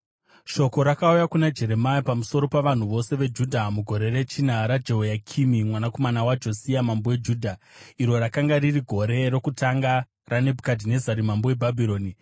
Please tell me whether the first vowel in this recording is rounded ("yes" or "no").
yes